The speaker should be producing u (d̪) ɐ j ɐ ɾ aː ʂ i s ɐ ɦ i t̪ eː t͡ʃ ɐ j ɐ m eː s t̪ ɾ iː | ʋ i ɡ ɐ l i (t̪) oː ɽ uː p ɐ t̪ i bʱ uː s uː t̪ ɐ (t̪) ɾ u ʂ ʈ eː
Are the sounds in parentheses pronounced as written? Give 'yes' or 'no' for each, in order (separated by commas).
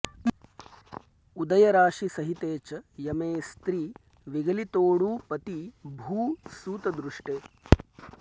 yes, yes, no